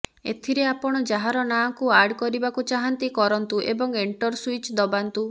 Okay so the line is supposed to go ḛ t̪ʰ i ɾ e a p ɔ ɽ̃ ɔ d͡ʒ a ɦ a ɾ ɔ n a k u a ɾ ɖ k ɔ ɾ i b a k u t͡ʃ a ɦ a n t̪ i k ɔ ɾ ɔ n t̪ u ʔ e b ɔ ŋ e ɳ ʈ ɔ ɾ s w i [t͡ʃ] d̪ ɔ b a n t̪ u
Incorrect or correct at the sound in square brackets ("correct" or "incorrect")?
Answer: correct